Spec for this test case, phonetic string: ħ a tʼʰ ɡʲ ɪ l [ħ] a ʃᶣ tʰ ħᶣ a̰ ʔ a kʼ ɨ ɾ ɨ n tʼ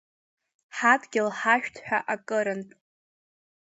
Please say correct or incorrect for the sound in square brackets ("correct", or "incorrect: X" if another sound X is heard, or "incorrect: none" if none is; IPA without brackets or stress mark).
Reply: correct